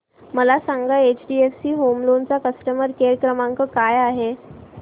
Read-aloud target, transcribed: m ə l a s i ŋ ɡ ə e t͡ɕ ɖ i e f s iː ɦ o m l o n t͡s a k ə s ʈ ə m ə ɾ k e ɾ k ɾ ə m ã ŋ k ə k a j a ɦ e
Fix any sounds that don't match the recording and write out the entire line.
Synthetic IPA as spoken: m ə l a s a ŋ ɡ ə e t͡ɕ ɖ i e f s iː ɦ o m l o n t͡s a k ə s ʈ ə m ə ɾ k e ɾ k ɾ ə m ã ŋ k ə k a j a ɦ e